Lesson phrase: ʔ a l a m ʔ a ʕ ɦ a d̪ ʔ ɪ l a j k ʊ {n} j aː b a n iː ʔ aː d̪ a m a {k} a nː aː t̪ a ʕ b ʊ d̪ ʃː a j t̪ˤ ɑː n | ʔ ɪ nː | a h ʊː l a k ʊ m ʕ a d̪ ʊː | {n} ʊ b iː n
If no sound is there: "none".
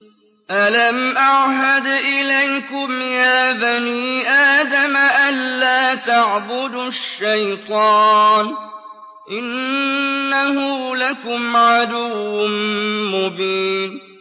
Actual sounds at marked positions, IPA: m, ʔ, m

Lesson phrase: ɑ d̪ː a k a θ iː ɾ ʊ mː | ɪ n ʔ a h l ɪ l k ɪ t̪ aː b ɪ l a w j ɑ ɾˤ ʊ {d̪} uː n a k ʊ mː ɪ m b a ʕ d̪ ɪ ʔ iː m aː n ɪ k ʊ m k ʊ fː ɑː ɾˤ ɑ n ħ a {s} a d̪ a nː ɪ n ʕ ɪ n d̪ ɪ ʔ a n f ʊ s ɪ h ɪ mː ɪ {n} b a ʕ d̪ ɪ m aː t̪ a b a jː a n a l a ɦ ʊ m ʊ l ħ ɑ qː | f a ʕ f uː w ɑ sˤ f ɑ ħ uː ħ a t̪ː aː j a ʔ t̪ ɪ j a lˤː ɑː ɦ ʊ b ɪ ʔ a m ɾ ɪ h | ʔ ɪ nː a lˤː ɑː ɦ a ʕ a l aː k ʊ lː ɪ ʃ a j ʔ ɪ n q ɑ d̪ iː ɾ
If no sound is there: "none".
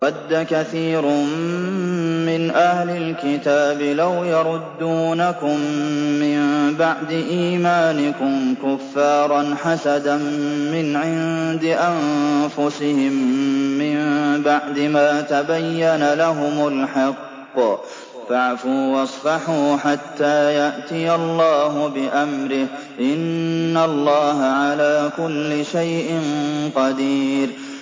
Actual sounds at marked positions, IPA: d̪ː, s, m

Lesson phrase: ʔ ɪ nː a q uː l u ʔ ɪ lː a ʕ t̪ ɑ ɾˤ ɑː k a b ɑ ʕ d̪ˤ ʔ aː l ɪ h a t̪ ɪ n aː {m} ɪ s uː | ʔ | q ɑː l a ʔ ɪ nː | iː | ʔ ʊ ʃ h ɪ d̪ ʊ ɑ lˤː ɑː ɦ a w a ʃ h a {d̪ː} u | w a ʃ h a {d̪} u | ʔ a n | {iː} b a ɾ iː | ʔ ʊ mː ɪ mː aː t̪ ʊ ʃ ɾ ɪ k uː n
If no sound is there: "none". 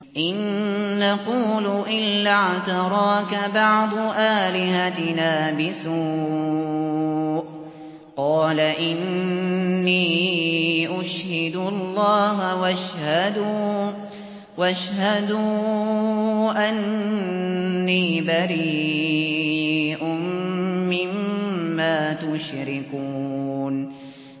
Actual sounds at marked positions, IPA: b, d̪, d̪, iː

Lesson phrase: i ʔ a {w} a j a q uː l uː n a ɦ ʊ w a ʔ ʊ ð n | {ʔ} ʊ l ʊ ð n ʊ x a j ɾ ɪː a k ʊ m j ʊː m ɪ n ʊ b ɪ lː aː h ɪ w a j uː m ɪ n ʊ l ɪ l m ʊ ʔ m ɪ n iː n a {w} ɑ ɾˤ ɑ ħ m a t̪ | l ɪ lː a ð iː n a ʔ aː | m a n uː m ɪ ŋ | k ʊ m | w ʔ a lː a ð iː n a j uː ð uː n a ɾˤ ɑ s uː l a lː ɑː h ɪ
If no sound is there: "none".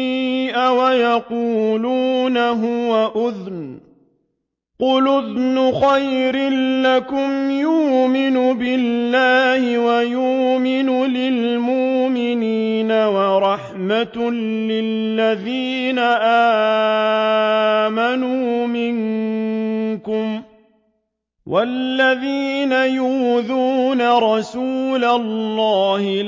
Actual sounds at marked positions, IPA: w, q, w

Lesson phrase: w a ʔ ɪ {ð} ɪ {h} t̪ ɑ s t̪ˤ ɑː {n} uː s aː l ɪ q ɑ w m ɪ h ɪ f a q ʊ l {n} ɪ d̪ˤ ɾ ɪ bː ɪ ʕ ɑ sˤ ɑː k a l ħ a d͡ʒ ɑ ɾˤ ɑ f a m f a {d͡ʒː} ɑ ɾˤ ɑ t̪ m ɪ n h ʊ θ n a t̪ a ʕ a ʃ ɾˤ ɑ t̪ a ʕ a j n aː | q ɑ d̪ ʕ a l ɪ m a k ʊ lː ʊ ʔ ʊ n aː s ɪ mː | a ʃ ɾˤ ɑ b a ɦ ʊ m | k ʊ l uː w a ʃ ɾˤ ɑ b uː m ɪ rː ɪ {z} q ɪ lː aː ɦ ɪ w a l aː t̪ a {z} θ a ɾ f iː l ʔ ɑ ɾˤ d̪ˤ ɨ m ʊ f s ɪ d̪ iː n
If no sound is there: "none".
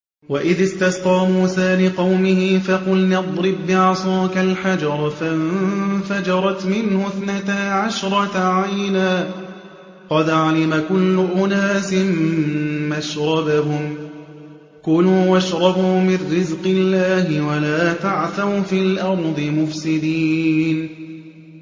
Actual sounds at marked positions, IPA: ð, s, m, n, d͡ʒ, z, ʕ

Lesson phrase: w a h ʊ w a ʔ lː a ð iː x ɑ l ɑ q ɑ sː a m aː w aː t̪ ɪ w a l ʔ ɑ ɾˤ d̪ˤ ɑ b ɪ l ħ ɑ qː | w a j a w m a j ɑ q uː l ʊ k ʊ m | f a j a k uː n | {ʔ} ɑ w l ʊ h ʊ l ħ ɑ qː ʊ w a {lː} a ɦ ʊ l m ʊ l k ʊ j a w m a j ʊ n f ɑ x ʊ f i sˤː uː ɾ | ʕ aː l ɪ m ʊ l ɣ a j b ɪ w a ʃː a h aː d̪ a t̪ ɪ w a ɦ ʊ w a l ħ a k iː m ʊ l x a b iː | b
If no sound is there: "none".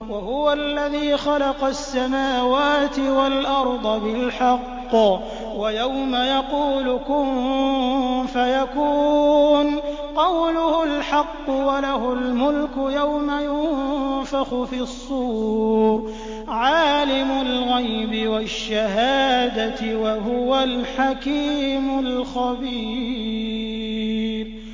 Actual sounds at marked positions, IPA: q, l

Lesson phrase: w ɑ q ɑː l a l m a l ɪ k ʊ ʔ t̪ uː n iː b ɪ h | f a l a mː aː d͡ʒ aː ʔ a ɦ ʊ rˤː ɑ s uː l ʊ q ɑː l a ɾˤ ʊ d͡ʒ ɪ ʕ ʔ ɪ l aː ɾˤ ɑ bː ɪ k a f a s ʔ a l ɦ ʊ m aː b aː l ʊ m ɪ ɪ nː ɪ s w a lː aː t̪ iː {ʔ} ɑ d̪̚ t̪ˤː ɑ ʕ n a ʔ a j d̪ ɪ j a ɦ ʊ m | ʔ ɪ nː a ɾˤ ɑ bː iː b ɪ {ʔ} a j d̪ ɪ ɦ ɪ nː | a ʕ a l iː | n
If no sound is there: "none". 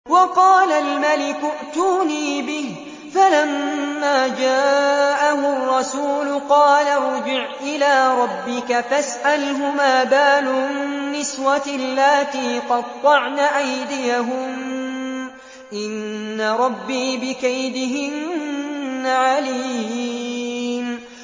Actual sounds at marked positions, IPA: q, k

